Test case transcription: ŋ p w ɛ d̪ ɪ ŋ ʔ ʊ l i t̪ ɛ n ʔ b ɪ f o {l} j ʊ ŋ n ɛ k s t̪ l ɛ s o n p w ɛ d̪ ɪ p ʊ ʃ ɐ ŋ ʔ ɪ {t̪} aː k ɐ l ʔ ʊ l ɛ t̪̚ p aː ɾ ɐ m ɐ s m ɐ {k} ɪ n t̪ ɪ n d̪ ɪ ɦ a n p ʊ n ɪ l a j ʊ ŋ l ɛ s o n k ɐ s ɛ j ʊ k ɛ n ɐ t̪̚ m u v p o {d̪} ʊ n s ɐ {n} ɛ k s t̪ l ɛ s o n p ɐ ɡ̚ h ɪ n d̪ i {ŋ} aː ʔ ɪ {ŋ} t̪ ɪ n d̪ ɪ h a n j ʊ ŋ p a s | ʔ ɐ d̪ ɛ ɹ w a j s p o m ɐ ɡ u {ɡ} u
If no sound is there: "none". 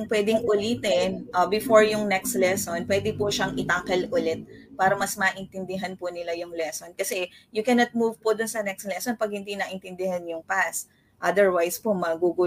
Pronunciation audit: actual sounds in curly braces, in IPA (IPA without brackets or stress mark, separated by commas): ɹ, t̪, ʔ, d̪, n, n, n, ɡ